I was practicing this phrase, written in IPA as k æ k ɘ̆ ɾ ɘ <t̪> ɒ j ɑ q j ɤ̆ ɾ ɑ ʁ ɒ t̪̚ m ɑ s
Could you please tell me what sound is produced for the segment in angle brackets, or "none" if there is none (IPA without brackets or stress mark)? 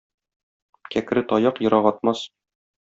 t̪